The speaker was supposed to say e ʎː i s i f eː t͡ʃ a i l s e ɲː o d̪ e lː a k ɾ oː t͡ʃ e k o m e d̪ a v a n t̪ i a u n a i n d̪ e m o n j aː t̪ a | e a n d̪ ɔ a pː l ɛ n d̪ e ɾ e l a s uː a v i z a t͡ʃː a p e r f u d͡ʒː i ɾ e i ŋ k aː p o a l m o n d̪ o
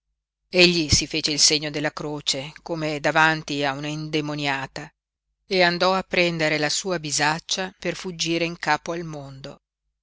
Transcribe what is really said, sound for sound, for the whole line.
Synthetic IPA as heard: e ʎː i s i f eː t͡ʃ e i l s e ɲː o d̪ e lː a k ɾ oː t͡ʃ e k o m e d̪ a v a n t̪ i a u n a i n d̪ e m o n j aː t̪ a | e a n d̪ ɔ a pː ɾ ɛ n d̪ e ɾ e l a s uː a b i z a t͡ʃː a p e r f u d͡ʒː iː ɾ e i ŋ k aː p o a l m o n d̪ o